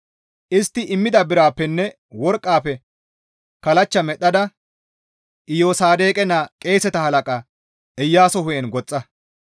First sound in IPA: ʔ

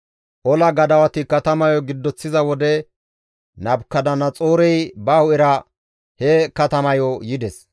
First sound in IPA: ʔ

